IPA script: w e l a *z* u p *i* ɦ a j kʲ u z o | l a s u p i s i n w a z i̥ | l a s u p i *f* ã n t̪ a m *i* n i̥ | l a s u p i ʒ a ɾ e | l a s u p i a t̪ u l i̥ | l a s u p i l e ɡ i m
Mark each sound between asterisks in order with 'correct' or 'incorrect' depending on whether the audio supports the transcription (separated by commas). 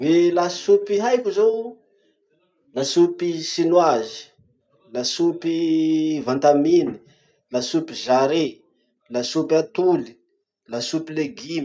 incorrect, correct, incorrect, correct